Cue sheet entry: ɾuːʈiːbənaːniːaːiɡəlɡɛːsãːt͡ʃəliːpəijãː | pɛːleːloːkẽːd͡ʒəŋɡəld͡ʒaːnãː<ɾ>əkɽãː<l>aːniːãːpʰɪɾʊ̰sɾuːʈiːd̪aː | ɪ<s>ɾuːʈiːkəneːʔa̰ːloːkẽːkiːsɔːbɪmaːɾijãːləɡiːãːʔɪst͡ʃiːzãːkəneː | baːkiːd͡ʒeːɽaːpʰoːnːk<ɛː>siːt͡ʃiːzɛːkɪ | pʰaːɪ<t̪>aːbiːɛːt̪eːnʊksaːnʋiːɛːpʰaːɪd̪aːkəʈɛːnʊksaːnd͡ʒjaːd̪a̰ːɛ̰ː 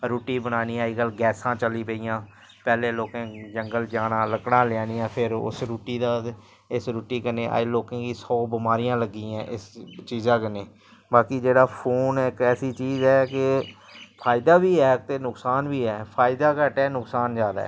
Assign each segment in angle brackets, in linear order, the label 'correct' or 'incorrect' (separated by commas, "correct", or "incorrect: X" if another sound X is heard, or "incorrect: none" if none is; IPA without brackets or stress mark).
incorrect: l, correct, correct, correct, incorrect: d̪